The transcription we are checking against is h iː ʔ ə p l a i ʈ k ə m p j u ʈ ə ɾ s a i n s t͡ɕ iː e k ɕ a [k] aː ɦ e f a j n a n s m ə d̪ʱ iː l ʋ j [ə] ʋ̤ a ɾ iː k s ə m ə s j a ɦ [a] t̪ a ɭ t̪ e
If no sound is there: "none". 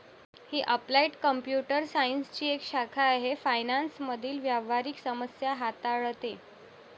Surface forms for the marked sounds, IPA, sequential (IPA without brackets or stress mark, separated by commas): kʰ, a, a